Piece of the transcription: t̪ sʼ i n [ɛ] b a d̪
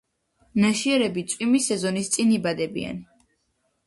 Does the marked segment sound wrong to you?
yes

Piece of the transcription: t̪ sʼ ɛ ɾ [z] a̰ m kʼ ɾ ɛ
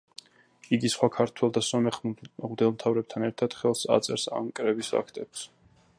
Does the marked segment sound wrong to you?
yes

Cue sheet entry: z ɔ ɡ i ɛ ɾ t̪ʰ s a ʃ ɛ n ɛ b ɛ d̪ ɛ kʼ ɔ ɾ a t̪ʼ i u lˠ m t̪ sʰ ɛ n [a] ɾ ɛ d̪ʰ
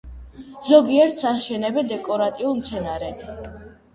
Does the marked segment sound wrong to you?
no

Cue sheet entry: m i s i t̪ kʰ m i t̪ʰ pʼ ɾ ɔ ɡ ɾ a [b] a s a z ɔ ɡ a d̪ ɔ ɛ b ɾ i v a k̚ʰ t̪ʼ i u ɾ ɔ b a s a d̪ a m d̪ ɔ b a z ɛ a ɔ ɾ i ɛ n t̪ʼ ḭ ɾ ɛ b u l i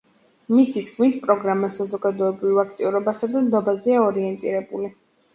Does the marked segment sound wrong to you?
yes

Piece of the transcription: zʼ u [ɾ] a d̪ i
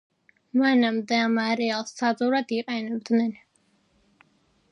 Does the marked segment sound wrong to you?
no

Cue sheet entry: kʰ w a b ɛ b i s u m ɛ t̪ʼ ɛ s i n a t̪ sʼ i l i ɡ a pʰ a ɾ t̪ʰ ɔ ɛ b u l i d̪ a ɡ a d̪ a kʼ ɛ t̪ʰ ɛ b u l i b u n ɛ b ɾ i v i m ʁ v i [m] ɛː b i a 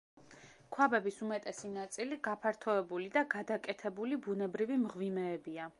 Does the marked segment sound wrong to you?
no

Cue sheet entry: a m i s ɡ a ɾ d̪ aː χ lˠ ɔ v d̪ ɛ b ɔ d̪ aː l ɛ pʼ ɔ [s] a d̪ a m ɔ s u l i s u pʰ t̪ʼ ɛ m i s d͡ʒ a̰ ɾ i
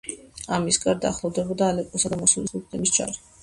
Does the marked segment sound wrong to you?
no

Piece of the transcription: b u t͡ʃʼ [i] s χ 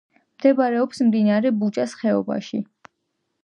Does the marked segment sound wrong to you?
yes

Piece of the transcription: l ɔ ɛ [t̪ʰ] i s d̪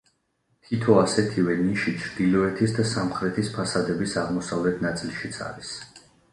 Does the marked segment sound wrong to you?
no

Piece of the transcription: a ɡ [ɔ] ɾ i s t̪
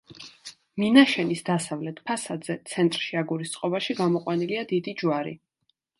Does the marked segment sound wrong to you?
yes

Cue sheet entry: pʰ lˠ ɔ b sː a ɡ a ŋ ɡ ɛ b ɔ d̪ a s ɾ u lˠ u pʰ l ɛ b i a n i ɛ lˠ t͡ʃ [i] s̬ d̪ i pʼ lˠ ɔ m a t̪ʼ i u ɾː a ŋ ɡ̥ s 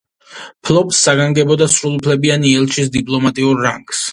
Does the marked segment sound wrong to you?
no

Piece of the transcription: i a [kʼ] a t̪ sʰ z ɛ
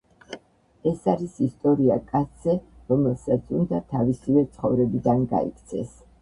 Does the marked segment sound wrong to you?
no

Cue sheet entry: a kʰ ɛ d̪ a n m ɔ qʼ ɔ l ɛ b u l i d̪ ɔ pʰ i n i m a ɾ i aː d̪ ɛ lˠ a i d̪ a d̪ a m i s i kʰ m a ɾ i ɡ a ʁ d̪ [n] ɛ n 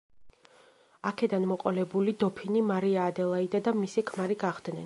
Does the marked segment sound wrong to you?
no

